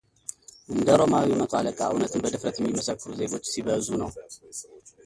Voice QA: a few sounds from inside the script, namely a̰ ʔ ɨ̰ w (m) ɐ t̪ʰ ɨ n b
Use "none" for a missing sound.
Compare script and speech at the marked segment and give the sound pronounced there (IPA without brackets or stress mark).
n